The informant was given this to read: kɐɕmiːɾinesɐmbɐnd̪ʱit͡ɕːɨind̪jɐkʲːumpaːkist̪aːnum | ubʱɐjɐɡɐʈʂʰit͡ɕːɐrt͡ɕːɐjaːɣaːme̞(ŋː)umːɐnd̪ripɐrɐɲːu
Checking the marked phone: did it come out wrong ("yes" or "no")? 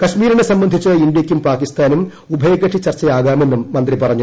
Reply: yes